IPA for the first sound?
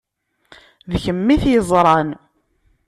ð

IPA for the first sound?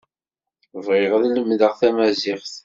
v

